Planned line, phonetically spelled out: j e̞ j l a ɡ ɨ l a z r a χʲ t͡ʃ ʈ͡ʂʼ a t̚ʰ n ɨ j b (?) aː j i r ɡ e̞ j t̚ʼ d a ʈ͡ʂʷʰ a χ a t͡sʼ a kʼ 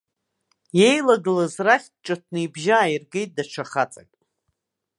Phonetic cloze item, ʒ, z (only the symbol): ʒ